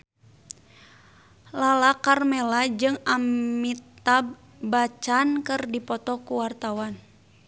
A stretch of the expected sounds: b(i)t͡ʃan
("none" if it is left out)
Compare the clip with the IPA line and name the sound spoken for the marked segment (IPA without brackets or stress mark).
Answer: a